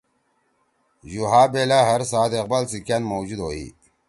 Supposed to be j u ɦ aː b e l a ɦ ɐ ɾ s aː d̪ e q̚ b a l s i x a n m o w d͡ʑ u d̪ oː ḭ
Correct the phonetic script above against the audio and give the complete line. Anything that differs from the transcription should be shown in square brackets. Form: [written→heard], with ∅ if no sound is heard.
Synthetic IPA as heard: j u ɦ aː b e l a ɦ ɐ ɾ s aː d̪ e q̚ b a l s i [x→k] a n m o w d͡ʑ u d̪ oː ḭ